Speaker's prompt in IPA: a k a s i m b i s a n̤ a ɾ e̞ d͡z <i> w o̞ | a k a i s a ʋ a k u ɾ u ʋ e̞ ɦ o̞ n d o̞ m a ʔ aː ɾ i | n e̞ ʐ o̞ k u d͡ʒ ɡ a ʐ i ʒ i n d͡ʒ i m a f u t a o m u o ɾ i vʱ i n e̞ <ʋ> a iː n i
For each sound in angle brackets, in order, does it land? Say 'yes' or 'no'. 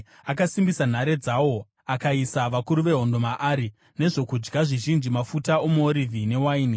no, no

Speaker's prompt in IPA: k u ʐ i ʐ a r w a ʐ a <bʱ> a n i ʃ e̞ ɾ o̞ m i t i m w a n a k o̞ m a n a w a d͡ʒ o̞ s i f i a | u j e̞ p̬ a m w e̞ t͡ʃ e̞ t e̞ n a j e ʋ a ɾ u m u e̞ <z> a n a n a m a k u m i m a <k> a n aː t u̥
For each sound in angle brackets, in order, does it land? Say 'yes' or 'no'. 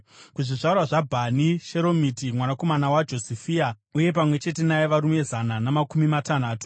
yes, yes, no

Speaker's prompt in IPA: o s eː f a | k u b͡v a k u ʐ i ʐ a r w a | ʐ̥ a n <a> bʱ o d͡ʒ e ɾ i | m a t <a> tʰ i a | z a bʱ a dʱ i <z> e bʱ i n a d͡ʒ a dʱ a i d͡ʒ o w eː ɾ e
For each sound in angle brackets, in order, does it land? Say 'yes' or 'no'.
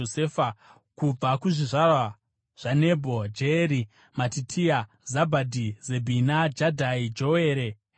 no, no, yes

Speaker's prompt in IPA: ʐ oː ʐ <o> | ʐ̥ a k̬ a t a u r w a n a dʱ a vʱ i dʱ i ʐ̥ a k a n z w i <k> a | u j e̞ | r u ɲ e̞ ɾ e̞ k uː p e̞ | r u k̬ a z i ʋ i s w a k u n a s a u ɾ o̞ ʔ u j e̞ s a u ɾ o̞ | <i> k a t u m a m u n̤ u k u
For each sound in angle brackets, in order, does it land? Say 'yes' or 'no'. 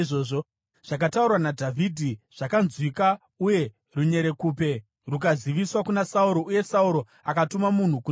yes, yes, no

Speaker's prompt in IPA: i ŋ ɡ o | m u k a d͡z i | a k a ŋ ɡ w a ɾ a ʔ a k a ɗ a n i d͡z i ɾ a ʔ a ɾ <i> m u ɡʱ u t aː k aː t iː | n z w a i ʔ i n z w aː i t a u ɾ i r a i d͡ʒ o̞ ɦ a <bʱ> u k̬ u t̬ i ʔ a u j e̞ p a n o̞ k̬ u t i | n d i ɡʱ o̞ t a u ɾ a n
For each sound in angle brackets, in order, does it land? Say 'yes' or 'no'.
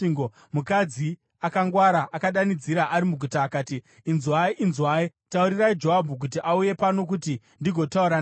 yes, yes

